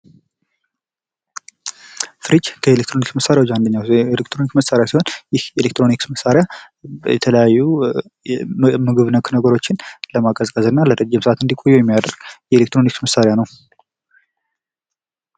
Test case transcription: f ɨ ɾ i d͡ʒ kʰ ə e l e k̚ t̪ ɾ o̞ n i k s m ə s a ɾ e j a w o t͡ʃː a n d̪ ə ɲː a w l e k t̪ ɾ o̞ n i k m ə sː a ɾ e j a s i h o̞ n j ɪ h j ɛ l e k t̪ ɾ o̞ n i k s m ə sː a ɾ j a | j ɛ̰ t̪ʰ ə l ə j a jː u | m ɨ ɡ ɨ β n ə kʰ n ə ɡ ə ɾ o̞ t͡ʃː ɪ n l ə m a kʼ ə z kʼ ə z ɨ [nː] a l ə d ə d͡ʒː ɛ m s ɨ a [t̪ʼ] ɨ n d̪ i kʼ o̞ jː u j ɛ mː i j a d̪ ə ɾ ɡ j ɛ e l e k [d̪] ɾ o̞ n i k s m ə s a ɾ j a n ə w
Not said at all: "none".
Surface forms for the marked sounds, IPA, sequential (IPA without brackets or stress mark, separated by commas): nː, t̪, t̪